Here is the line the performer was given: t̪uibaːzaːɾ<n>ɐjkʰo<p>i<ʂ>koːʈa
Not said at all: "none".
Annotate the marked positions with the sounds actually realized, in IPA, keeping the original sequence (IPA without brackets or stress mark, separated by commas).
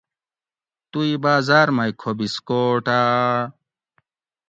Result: m, b, s